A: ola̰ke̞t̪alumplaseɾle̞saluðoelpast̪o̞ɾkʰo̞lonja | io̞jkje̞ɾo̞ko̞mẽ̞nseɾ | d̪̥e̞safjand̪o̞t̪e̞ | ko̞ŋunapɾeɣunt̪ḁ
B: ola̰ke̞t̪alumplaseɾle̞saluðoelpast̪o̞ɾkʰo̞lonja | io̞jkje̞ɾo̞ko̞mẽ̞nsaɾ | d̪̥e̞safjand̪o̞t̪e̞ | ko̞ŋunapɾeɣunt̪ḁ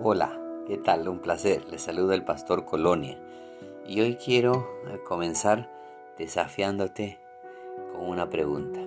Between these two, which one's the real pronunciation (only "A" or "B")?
B